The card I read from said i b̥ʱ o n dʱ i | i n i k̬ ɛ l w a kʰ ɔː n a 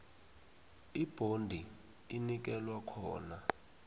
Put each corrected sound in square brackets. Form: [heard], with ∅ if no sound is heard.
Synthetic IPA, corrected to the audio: i b̥ʱ o n dʱ i | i n i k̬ ɛ l w a kʰ ɔː n a